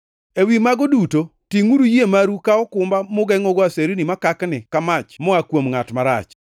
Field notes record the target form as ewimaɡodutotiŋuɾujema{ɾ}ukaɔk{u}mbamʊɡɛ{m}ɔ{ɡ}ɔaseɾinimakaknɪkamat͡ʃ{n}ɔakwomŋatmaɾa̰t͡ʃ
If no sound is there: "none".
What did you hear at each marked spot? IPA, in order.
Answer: ɾ, ʊ, ŋ, ɡ, m

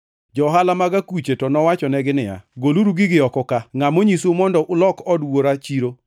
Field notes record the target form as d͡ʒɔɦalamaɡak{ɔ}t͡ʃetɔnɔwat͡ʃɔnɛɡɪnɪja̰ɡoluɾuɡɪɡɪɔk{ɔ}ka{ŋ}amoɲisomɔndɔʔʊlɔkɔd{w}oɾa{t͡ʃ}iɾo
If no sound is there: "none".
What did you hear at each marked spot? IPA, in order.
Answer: u, ɔ, ŋ, w, t͡ʃ

